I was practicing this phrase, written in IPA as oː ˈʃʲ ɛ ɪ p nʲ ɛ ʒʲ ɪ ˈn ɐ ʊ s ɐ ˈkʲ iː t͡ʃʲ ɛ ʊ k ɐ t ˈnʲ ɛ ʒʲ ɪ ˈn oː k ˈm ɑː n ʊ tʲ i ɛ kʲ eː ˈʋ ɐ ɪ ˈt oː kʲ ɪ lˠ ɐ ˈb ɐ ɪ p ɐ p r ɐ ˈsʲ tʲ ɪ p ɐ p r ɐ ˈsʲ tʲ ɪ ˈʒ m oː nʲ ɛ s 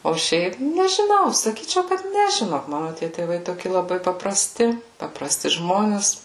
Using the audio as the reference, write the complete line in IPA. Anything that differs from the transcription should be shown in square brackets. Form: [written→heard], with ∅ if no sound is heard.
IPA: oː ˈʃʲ ɛ ɪ p nʲ ɛ ʒʲ ɪ ˈn ɐ ʊ s ɐ ˈkʲ iː t͡ʃʲ ɛ ʊ k ɐ t ˈnʲ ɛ ʒʲ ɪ ˈn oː k ˈm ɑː n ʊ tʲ i ɛ [kʲ→tʲ] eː ˈʋ ɐ ɪ ˈt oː kʲ ɪ lˠ ɐ ˈb ɐ ɪ p ɐ p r ɐ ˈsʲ tʲ ɪ p ɐ p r ɐ ˈsʲ tʲ ɪ ˈʒ m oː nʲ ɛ s